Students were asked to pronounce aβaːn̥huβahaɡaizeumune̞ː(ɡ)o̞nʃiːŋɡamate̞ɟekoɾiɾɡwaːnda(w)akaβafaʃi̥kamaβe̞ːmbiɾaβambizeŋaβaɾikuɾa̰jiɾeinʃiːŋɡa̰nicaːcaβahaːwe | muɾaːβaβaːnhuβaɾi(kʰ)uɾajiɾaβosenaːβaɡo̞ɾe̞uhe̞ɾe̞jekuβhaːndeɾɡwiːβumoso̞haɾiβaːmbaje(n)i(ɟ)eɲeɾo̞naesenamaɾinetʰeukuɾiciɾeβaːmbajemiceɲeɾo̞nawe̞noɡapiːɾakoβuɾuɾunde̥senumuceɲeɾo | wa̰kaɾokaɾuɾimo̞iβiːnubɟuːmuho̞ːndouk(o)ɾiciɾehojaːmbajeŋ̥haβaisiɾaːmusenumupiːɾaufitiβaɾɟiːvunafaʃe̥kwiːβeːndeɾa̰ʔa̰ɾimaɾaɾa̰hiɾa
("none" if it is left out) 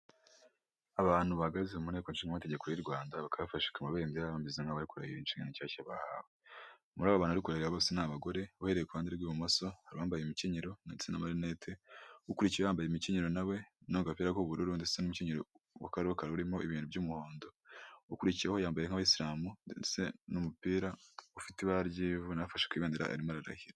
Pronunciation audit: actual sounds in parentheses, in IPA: k, β, k, m, c, u

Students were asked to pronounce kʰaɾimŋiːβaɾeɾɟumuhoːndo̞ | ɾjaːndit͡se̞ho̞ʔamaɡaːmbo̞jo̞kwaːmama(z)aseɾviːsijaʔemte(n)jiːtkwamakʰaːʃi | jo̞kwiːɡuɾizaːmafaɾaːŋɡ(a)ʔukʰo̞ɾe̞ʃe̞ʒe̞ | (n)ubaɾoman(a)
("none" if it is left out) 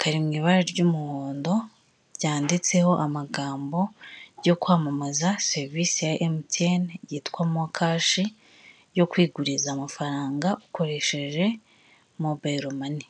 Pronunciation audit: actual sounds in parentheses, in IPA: z, n, a, m, i

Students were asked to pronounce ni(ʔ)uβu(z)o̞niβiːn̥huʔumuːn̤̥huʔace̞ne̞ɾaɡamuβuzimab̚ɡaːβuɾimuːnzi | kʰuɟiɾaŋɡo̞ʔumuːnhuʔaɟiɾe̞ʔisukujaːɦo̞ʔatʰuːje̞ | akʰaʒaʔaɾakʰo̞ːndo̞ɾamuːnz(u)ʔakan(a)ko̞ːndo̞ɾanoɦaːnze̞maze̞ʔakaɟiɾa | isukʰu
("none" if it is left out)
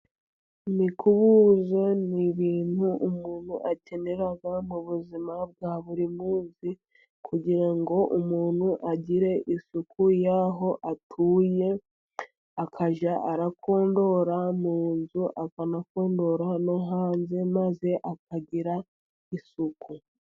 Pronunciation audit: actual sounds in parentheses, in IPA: k, z, u, a

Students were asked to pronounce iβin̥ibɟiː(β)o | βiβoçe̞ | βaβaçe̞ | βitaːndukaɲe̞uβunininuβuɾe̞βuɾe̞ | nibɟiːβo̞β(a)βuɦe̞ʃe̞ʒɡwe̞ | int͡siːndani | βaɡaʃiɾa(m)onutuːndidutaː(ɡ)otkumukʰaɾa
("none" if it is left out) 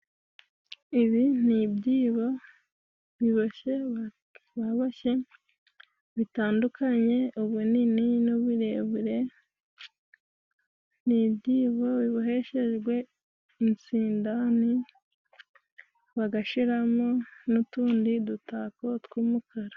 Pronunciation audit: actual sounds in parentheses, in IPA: β, i, m, k

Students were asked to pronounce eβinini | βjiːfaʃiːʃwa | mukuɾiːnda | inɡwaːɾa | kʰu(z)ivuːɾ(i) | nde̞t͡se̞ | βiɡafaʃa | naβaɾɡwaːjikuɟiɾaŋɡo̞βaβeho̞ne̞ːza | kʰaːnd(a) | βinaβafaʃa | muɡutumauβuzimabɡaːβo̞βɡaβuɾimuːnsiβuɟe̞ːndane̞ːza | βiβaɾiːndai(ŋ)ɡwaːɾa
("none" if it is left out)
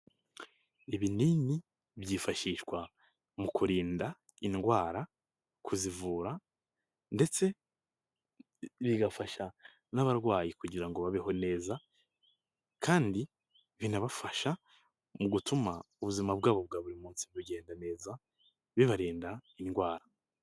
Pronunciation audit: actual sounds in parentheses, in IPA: z, a, i, n

